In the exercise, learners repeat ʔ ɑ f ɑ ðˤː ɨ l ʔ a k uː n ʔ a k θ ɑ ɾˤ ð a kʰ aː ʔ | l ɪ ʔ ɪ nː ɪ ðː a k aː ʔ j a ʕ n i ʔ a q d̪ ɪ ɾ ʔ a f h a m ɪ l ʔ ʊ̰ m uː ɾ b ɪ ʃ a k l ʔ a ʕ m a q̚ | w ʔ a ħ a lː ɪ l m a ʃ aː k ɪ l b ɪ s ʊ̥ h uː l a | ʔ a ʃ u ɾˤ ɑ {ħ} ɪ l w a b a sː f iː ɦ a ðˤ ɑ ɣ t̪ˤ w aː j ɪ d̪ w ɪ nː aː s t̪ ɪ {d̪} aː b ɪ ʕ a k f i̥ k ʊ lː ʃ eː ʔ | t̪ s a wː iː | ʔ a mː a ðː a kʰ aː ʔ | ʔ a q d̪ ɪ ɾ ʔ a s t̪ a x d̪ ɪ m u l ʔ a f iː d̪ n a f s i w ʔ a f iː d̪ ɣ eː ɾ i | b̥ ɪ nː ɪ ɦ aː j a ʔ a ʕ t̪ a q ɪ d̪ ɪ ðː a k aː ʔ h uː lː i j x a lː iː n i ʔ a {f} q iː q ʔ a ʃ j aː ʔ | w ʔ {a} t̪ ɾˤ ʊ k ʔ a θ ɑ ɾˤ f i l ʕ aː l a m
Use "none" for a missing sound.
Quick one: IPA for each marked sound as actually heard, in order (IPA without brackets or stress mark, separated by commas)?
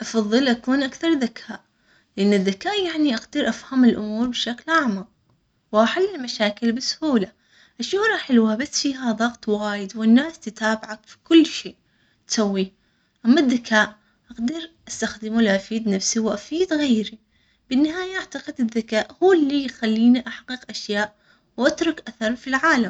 ħ, t̪, ħ, a